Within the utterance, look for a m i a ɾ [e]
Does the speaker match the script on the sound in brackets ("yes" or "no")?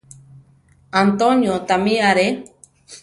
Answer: yes